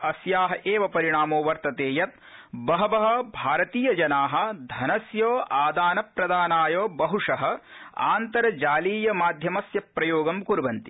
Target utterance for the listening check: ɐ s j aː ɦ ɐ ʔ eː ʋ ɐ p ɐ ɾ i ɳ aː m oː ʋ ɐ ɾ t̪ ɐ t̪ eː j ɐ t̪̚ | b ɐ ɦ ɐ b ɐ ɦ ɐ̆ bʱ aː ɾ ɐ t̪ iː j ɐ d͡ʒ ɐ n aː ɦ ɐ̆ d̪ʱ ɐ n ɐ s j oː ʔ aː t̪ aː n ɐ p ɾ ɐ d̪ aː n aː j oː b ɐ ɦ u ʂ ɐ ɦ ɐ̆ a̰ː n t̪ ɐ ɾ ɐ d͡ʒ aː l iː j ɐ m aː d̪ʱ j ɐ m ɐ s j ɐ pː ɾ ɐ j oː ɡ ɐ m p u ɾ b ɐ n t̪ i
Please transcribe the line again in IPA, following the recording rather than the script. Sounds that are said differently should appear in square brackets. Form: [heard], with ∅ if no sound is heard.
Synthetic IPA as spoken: ɐ s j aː ɦ ɐ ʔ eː ʋ ɐ p ɐ ɾ i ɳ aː m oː ʋ ɐ ɾ t̪ ɐ t̪ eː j ɐ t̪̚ | b ɐ ɦ ɐ b ɐ ɦ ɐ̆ bʱ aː ɾ ɐ t̪ iː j ɐ d͡ʒ ɐ n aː ɦ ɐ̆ d̪ʱ ɐ n ɐ s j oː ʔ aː [d̪] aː n ɐ p ɾ ɐ d̪ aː n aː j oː b ɐ ɦ u ʂ ɐ ɦ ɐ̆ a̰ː n t̪ ɐ ɾ ɐ d͡ʒ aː l iː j ɐ m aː d̪ʱ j ɐ m ɐ s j ɐ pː ɾ ɐ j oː ɡ ɐ m [k] u ɾ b ɐ n t̪ i

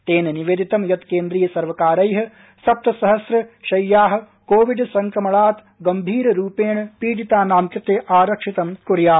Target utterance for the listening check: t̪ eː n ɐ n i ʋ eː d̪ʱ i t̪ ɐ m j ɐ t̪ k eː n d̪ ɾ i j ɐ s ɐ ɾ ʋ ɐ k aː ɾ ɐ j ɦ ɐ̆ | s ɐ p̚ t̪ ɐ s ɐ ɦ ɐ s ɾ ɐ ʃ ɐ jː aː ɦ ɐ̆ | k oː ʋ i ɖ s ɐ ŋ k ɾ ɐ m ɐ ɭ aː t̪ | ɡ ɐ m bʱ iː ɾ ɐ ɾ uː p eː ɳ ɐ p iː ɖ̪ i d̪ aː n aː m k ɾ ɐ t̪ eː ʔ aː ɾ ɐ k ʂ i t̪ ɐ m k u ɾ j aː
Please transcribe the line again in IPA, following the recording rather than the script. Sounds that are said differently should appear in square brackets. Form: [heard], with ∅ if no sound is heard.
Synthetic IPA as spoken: t̪ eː n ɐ n i ʋ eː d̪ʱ i t̪ ɐ m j ɐ t̪ k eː n d̪ ɾ i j ɐ s ɐ ɾ ʋ ɐ k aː ɾ ɐ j ɦ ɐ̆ | s ɐ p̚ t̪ ɐ s ɐ ɦ ɐ s ɾ ɐ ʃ ɐ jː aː ɦ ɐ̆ | k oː ʋ i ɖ s ɐ ŋ k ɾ ɐ m ɐ ɭ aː t̪ | ɡ ɐ m bʱ iː ɾ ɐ ɾ uː p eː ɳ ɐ p iː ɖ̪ i [t̪] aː n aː m k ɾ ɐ t̪ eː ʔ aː ɾ ɐ k ʂ i t̪ ɐ m k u ɾ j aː

